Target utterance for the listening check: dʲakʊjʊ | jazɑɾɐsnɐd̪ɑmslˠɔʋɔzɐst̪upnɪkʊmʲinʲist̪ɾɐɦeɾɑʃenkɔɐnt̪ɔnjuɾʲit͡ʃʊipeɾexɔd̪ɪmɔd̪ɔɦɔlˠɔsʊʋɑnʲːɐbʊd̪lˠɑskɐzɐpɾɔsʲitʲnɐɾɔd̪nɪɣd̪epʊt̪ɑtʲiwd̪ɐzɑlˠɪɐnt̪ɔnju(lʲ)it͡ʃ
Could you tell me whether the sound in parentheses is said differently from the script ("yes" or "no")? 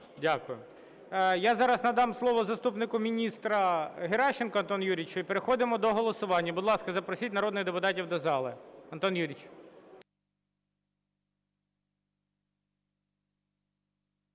yes